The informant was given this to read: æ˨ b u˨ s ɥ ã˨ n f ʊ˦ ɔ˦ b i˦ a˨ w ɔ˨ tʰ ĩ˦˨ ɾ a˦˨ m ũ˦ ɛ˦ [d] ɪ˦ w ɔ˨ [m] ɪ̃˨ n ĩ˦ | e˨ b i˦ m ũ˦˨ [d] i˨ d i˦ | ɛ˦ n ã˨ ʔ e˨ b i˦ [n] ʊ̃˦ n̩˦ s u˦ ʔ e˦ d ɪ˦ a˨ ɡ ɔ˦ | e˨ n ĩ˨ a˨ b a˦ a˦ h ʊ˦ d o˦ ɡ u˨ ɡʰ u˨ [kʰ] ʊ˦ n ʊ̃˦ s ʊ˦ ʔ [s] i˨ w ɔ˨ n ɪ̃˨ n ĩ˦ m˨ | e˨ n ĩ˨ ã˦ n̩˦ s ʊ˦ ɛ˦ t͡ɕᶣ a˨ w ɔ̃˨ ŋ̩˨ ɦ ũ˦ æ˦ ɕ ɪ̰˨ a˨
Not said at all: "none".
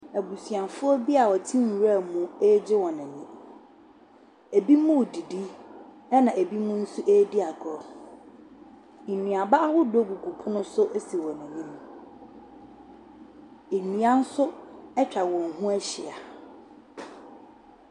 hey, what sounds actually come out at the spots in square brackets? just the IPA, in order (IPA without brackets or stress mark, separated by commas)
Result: d͡ʑ, n, d, m, pʰ, s